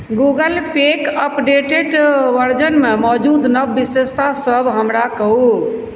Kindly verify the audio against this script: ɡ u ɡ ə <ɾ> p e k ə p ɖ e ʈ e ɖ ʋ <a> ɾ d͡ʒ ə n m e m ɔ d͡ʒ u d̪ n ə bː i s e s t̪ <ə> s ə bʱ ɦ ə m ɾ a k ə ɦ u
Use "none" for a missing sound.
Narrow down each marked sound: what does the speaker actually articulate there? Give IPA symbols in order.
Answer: l, ə, a

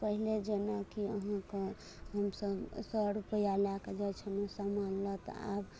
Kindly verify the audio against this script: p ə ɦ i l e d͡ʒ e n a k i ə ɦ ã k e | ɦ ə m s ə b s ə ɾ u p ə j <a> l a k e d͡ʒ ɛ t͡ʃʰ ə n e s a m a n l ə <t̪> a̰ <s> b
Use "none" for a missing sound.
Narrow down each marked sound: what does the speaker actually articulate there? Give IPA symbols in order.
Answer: a, t̪, none

